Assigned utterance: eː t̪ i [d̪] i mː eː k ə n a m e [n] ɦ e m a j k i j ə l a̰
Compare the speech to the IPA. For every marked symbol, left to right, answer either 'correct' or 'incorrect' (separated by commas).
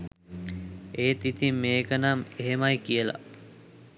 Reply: incorrect, incorrect